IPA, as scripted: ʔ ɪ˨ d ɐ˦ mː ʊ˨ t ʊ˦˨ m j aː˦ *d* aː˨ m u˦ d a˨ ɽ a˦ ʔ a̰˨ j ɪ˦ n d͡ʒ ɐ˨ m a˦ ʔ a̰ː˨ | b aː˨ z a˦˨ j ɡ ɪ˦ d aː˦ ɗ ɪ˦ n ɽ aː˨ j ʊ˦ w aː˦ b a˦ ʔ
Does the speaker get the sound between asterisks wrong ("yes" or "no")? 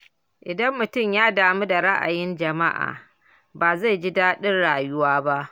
no